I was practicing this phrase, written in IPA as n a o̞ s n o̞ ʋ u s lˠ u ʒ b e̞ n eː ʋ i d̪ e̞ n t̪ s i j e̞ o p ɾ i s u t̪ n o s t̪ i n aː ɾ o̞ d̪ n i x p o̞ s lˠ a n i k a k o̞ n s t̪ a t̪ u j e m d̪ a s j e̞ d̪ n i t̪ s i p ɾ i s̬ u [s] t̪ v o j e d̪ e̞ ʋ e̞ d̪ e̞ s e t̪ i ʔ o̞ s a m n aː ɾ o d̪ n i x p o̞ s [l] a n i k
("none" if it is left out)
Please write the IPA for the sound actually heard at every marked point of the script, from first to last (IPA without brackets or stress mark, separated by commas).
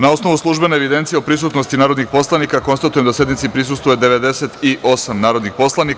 s, l